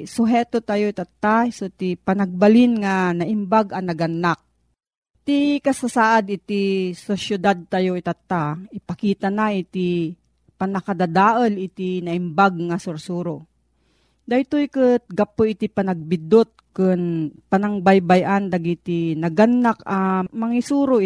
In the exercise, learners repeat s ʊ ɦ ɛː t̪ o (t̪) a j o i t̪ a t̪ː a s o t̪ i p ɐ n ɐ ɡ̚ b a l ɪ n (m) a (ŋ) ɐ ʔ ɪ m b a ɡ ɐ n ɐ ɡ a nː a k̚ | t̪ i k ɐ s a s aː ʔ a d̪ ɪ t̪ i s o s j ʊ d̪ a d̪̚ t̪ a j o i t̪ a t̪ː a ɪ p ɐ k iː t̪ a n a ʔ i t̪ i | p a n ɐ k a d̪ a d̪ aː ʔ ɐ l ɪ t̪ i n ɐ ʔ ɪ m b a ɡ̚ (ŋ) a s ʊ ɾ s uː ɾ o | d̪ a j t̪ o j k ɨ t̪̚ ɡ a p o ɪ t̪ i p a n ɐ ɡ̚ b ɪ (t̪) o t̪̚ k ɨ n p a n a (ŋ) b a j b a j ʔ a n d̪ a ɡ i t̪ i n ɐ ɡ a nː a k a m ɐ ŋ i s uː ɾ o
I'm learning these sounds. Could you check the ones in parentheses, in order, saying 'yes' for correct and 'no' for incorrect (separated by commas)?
yes, no, no, yes, no, yes